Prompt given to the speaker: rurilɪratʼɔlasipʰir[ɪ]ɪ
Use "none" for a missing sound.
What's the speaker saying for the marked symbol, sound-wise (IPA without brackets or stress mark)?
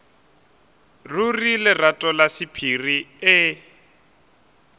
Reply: i